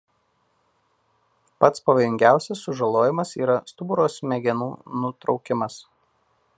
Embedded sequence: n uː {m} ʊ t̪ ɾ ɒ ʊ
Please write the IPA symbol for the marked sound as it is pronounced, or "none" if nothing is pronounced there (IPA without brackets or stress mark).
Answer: n